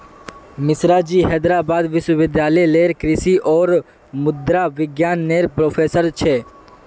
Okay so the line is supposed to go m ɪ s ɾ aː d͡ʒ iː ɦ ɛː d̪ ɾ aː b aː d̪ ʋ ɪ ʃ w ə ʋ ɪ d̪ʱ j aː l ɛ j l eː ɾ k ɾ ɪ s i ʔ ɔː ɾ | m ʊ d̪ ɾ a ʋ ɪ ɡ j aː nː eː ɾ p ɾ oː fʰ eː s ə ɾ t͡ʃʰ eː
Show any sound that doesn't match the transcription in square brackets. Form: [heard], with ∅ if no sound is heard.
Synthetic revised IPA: m ɪ s ɾ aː d͡ʒ iː ɦ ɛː d̪ ɾ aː b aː d̪ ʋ ɪ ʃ w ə ʋ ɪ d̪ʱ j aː l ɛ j l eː ɾ k ɾ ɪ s i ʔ ɔː ɾ | m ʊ d̪ ɾ a ʋ ɪ ɡ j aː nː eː ɾ p ɾ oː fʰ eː s ə ɾ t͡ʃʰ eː